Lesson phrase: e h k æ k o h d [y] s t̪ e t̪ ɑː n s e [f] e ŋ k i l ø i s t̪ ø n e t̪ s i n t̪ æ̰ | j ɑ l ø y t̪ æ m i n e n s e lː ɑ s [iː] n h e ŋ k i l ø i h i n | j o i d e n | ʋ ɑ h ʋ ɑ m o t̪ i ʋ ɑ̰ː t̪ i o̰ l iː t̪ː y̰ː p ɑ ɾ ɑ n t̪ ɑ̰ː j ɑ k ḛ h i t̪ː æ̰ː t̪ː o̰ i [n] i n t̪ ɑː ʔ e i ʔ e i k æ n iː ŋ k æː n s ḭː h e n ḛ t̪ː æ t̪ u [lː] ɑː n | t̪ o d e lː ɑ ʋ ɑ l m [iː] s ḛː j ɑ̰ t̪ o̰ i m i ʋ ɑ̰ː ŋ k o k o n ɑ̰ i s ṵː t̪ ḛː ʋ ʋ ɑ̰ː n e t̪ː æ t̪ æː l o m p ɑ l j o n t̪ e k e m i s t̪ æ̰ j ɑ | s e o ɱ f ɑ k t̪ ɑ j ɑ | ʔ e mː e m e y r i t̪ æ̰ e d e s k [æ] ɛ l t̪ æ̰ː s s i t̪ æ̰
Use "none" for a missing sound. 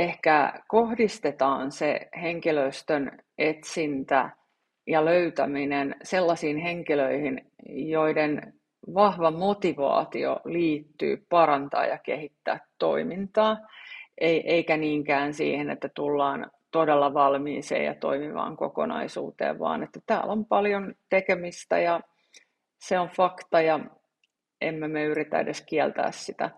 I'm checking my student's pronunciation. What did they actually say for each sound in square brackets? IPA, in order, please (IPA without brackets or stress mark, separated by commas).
i, h, iː, m, lː, iː, i